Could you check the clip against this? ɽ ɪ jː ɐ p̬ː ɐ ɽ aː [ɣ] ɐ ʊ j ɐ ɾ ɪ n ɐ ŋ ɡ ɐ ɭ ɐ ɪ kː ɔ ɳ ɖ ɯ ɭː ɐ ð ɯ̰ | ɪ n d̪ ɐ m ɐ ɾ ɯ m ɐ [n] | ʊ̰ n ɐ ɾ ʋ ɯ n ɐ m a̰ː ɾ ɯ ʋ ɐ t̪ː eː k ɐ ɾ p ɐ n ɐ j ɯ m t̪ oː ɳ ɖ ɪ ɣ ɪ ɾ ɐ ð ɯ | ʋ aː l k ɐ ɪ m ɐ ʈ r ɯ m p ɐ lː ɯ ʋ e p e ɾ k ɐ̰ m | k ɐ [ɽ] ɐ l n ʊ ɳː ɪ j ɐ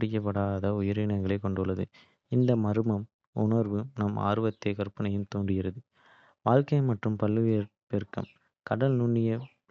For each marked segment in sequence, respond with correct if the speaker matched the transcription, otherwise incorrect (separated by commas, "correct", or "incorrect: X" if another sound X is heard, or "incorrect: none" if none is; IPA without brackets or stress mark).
incorrect: ð, incorrect: m, correct